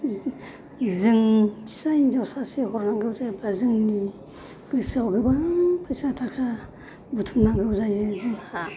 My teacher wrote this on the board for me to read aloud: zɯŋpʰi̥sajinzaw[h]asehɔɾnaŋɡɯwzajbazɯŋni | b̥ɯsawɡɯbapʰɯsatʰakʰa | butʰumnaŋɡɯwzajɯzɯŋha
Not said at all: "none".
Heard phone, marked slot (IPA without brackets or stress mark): s